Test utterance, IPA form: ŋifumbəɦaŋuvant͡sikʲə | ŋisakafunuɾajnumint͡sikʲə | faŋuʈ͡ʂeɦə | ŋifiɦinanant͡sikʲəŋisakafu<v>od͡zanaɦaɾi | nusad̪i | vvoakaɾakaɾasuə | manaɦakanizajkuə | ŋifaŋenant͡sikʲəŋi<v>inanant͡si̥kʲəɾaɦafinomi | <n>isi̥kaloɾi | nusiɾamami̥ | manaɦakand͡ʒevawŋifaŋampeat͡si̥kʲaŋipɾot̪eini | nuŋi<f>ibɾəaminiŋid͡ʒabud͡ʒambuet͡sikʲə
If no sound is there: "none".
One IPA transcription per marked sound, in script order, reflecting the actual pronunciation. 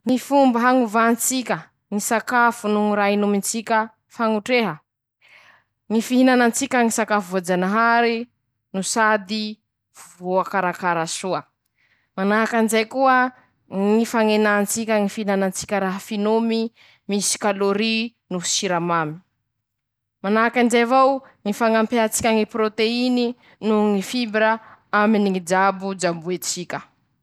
v, f, m, f

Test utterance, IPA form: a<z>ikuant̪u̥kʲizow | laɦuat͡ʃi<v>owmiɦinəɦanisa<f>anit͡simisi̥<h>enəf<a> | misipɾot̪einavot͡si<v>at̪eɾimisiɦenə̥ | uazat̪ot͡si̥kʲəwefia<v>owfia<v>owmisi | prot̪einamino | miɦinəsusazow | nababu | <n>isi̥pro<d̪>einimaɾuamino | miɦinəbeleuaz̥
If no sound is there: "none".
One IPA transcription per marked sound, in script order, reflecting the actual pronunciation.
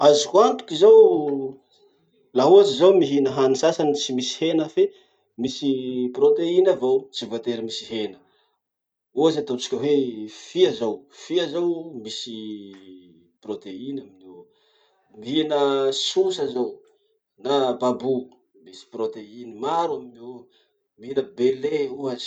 z, z, s, h, e, v, z, z, m, t̪

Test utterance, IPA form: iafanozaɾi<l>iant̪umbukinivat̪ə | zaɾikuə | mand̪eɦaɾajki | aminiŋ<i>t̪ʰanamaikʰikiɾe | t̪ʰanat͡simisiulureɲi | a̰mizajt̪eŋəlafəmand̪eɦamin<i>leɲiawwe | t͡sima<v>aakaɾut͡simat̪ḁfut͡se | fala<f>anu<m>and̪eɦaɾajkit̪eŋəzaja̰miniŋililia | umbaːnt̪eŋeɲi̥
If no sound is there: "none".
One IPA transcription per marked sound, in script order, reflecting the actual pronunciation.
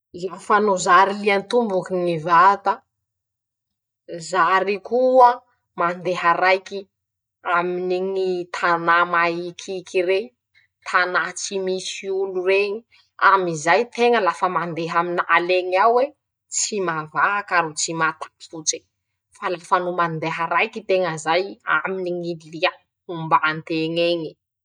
l, i, a, v, f, m

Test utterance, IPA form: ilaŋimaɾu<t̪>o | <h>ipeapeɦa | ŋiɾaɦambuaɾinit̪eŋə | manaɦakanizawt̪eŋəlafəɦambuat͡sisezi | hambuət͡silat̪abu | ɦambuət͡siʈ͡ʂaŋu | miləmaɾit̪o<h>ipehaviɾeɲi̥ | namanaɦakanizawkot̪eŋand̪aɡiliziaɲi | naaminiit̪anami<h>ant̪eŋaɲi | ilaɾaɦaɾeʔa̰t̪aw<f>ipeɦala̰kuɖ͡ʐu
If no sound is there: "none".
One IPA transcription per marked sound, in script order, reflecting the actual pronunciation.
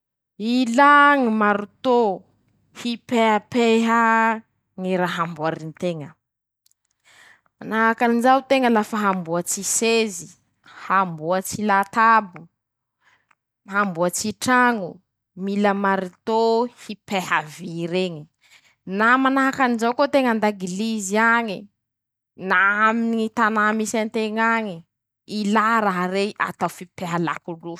t̪, h, h, s, f

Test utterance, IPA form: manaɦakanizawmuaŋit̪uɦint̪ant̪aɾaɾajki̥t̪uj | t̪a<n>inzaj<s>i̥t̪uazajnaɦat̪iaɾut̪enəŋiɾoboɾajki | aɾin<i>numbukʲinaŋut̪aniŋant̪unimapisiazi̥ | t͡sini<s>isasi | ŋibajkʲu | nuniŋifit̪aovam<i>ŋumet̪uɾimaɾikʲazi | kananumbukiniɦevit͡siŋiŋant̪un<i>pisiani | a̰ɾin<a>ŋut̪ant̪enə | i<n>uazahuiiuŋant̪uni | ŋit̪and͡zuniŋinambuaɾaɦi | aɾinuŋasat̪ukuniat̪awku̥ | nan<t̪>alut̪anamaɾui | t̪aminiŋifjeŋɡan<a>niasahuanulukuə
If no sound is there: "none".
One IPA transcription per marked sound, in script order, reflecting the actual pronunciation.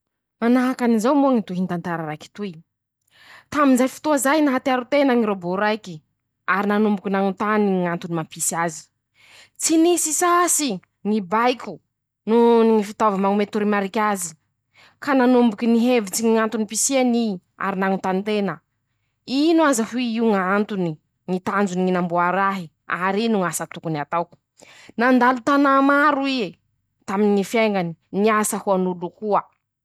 m, f, a, s, a, i, a, n, d̪, i

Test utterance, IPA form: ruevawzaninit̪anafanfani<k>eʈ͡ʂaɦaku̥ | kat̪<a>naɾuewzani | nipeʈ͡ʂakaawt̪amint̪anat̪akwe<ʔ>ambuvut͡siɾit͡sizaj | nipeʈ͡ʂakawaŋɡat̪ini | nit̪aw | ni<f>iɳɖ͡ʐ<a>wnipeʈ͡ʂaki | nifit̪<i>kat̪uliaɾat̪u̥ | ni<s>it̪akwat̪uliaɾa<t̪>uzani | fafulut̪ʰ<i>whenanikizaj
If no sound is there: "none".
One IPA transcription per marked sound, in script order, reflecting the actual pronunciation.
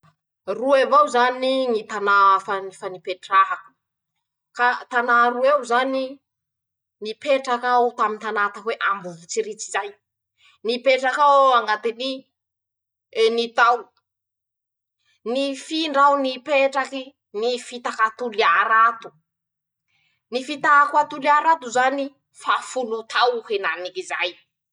p, a, ʔ, f, a, a, f, t̪, a

